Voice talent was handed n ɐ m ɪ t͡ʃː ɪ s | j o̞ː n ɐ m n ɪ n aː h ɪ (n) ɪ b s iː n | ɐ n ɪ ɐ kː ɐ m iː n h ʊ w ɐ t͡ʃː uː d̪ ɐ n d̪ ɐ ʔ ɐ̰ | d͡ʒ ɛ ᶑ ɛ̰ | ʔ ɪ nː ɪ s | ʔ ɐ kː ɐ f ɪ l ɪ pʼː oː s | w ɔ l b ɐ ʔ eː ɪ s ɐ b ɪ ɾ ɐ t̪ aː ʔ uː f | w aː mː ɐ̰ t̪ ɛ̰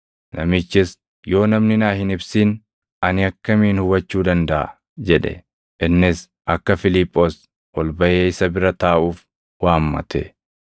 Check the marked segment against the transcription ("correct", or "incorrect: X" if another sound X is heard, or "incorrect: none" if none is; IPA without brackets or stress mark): correct